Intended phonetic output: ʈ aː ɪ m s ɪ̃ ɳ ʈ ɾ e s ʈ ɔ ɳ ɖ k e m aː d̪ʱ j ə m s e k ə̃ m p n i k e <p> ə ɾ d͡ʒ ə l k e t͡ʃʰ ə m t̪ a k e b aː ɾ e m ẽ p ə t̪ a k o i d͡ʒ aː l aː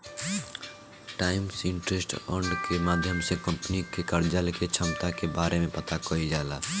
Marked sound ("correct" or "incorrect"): incorrect